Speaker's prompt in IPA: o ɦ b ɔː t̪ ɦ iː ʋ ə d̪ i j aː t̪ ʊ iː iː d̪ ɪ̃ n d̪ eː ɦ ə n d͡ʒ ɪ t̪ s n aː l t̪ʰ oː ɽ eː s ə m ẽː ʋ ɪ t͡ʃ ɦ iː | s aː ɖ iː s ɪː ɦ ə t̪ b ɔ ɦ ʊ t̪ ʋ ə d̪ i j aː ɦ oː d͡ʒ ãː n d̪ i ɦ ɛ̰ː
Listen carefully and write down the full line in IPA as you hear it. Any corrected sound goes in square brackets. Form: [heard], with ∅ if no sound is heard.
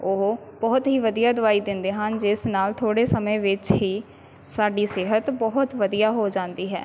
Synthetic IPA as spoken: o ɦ b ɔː t̪ ɦ iː ʋ ə d̪ i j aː [d̪] ʊ [aː] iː d̪ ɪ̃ n d̪ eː ɦ ə n d͡ʒ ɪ [∅] s n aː l t̪ʰ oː ɽ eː s ə m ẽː ʋ ɪ t͡ʃ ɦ iː | s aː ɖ iː s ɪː ɦ ə t̪ b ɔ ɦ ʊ t̪ ʋ ə d̪ i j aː ɦ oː d͡ʒ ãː n d̪ [iː] ɦ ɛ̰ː

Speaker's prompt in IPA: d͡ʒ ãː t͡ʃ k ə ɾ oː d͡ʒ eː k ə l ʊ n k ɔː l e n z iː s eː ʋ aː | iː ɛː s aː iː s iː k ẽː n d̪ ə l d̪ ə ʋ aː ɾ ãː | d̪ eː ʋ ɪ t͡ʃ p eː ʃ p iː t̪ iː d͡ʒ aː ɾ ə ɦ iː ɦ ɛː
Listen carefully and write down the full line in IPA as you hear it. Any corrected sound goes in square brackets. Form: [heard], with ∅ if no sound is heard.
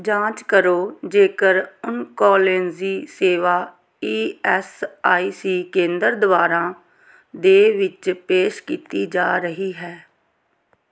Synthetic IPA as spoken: d͡ʒ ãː t͡ʃ k ə ɾ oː d͡ʒ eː k ə [ɾ] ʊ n k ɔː l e n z iː s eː ʋ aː | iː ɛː s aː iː s iː k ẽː n d̪ ə [ɾ] d̪ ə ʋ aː ɾ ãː | d̪ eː ʋ ɪ t͡ʃ p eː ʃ [k] iː t̪ iː d͡ʒ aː ɾ ə ɦ iː ɦ ɛː

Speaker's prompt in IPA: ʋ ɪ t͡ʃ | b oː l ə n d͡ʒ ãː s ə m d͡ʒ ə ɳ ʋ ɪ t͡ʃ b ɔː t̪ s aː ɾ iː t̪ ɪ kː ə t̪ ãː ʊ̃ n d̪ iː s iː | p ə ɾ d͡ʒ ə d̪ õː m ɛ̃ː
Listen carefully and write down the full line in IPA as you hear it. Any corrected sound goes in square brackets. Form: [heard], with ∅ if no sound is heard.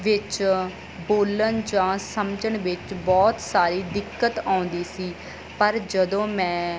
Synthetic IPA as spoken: ʋ ɪ t͡ʃ | b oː l ə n d͡ʒ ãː s ə m d͡ʒ ə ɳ ʋ ɪ t͡ʃ b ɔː t̪ s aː ɾ iː [d̪] ɪ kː ə t̪ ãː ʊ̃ n d̪ iː s iː | p ə ɾ d͡ʒ ə d̪ õː m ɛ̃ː

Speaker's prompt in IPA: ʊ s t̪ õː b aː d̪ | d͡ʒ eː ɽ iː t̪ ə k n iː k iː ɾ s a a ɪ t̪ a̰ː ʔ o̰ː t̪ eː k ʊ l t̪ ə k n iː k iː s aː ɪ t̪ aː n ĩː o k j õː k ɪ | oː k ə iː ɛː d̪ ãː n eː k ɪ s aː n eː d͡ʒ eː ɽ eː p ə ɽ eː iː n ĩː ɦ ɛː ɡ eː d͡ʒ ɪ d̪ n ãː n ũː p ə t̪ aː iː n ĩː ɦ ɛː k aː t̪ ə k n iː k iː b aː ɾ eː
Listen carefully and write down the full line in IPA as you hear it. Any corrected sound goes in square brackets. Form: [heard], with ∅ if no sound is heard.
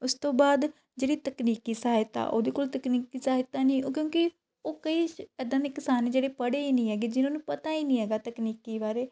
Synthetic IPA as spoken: ʊ s t̪ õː b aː d̪ | d͡ʒ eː ɽ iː t̪ ə k n iː k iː [∅] s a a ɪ t̪ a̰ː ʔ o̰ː [d̪] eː k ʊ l t̪ ə k n iː k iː s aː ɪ t̪ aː n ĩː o k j õː k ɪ | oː k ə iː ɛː d̪ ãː n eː k ɪ s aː n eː d͡ʒ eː ɽ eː p ə ɽ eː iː n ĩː ɦ ɛː ɡ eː d͡ʒ ɪ [∅] n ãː n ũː p ə t̪ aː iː n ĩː ɦ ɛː [ɡ] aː t̪ ə k n iː k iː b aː ɾ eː

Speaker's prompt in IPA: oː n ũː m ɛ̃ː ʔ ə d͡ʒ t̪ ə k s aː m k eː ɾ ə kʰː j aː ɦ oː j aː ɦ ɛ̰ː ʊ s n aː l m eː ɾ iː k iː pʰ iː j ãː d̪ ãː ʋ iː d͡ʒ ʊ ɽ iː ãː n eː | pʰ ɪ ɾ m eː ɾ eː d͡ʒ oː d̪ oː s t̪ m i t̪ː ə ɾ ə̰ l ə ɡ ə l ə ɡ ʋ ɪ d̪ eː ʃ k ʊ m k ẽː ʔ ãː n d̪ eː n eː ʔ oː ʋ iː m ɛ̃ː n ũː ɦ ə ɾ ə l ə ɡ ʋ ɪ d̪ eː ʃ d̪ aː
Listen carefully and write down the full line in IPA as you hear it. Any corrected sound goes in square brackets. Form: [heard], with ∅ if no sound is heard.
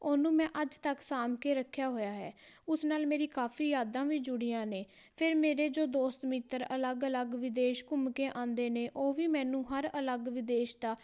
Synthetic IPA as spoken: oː n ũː m ɛ̃ː ʔ ə d͡ʒ t̪ ə k s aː m k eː ɾ ə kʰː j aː ɦ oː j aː ɦ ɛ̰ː ʊ s n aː l m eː ɾ iː k [aː] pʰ iː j [aː] d̪ ãː ʋ iː d͡ʒ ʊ ɽ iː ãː n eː | pʰ ɪ ɾ m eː ɾ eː d͡ʒ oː d̪ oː s t̪ m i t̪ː ə ɾ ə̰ l ə ɡ ə l ə ɡ ʋ ɪ d̪ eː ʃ k ʊ m k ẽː ʔ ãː n d̪ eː n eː ʔ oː ʋ iː m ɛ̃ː n ũː ɦ ə ɾ ə l ə ɡ ʋ ɪ d̪ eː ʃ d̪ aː

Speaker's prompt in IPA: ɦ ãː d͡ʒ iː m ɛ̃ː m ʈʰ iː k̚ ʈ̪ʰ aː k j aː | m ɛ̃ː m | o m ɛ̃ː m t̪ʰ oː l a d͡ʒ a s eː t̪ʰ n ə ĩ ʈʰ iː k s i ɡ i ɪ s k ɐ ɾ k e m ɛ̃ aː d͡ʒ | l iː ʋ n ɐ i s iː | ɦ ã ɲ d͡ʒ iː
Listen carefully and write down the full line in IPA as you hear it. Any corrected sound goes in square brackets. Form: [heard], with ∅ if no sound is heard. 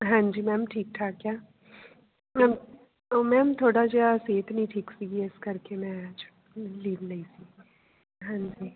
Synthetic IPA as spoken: ɦ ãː d͡ʒ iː m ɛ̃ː m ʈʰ iː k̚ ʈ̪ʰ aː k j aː | m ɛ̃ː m | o m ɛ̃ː m t̪ʰ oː [ɽ] a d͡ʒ a s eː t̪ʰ n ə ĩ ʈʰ iː k s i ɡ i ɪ s k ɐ ɾ k e m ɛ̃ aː d͡ʒ | l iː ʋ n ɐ i s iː | ɦ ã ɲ d͡ʒ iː

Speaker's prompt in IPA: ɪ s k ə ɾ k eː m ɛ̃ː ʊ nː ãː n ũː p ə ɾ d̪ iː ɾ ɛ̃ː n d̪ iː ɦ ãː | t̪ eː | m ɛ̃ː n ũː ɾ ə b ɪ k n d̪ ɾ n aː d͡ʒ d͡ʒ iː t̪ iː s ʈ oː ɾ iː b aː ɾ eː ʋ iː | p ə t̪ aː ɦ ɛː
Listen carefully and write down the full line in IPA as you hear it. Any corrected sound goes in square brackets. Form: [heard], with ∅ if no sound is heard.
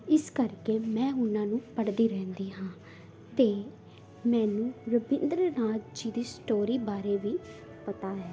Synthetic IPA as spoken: ɪ s k ə ɾ k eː m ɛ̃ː ʊ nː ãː n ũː p ə [ɽ] d̪ iː ɾ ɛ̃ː n d̪ iː ɦ ãː | t̪ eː | m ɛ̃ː n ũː ɾ ə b ɪ [∅] n d̪ ɾ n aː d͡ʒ d͡ʒ iː [d̪] iː s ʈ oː ɾ iː b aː ɾ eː ʋ iː | p ə t̪ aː ɦ ɛː

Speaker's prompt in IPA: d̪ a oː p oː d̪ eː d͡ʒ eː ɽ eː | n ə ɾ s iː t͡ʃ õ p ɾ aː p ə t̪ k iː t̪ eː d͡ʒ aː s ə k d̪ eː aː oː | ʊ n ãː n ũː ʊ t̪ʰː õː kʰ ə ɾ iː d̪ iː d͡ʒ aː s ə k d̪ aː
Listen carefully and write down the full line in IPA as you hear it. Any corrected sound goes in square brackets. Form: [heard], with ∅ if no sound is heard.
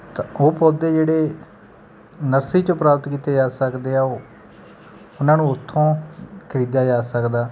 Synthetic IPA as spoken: [t̪] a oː p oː d̪ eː d͡ʒ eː ɽ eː | n ə ɾ s iː t͡ʃ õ p ɾ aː p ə t̪ k iː t̪ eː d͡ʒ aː s ə k d̪ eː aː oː | ʊ n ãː n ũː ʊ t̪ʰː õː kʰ ə ɾ iː d̪ [aː] d͡ʒ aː s ə k d̪ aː

